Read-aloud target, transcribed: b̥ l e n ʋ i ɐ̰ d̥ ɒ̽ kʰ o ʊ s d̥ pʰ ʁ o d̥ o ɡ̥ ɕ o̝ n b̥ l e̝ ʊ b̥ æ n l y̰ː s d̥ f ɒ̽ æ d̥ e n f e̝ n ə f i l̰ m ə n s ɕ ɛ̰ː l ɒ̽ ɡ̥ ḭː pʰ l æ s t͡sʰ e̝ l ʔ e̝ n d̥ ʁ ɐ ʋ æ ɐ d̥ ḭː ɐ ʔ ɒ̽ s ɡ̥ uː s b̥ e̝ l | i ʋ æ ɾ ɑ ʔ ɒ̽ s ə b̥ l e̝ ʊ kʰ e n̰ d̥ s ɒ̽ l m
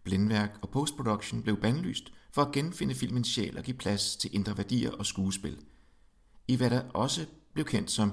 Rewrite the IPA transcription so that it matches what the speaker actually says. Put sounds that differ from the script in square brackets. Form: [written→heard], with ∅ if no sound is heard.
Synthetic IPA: b̥ l e n ʋ [i→æ] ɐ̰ [d̥→ɡ̥] ɒ̽ [kʰ→pʰ] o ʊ s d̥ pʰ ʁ o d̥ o ɡ̥ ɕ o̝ n b̥ l e̝ ʊ b̥ æ n l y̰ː s d̥ f ɒ̽ æ [d̥→ɡ̥] e n f e̝ n ə f i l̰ m ə n s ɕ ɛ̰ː l ɒ̽ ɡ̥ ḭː pʰ l æ s t͡sʰ e̝ l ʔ e̝ n d̥ ʁ ɐ ʋ æ ɐ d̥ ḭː ɐ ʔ ɒ̽ s ɡ̥ uː s b̥ e̝ l | i ʋ æ ɾ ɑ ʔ ɒ̽ s ə b̥ l e̝ ʊ kʰ e n̰ d̥ s ɒ̽ [l→∅] m